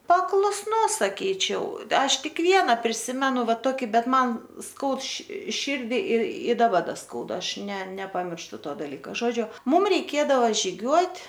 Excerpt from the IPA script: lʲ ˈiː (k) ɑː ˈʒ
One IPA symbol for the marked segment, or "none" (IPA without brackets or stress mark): k